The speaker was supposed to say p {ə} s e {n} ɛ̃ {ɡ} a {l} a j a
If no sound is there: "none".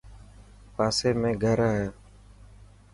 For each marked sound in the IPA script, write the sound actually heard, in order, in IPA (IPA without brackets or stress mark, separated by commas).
a, m, ɡ, ɾ